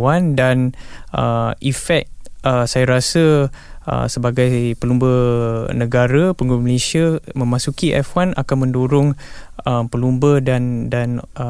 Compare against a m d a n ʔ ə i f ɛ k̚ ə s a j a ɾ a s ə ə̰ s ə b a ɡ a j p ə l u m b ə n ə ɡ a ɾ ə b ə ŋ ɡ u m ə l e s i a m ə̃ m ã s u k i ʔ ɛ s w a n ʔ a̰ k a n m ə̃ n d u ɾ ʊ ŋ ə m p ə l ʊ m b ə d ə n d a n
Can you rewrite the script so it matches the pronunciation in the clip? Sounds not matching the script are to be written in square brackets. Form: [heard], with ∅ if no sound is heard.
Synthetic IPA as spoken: a [n] d a n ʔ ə i f ɛ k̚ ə s a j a ɾ a s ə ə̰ s ə b a ɡ a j p ə l u m b ə n ə ɡ a ɾ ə [p] ə ŋ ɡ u m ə l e s i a m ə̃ m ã s u k i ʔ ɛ [f] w a n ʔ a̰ k a n m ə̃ n d u ɾ ʊ ŋ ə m p ə l [u] m b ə d [a] n d a n